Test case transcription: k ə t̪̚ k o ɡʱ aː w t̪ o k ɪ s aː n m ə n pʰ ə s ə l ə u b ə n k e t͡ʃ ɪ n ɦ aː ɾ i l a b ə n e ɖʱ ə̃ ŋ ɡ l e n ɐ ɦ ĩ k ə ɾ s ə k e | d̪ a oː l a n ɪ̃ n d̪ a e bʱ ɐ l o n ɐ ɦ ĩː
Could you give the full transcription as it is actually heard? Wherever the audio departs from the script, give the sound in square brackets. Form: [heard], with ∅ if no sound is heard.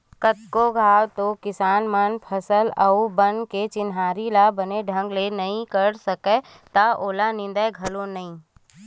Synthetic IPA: k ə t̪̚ k o ɡʱ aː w t̪ o k ɪ s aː n m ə n pʰ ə s ə l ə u b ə n k e t͡ʃ ɪ n ɦ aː ɾ i l a b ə n e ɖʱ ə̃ ŋ ɡ l e n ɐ ɦ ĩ k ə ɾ s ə k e | [t̪] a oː l a n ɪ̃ n d̪ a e [ɡʱ] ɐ l o n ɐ ɦ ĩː